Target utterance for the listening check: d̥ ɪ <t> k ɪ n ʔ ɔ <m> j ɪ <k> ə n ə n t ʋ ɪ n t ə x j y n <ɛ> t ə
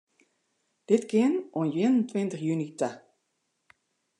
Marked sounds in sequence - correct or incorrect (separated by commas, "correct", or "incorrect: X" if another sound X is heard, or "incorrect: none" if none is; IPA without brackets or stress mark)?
correct, incorrect: n, incorrect: none, incorrect: i